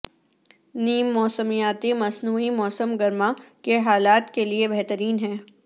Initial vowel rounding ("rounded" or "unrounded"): unrounded